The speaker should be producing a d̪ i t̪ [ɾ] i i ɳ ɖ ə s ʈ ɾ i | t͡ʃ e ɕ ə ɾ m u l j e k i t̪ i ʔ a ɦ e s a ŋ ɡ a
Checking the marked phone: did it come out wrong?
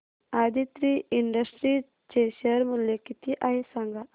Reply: no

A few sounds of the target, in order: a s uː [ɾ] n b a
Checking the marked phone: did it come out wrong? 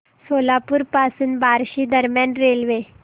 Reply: yes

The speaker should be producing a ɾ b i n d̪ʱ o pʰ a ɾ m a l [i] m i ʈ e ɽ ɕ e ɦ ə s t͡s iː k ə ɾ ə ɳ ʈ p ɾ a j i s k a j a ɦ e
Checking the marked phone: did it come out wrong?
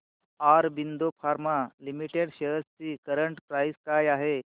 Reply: no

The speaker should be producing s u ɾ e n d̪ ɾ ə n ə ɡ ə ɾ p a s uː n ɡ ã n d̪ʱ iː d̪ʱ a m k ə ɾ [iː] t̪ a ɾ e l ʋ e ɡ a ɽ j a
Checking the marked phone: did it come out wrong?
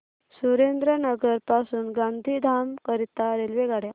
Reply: yes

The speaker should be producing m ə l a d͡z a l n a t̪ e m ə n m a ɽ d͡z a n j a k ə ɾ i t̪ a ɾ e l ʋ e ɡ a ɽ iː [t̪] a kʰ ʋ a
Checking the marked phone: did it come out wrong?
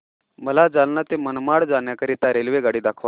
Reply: yes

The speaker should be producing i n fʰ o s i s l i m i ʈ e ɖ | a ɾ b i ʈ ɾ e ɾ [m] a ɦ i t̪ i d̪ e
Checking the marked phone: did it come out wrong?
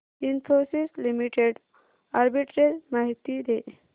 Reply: no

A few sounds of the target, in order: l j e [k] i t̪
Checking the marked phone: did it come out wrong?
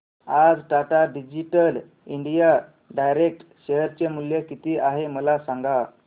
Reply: no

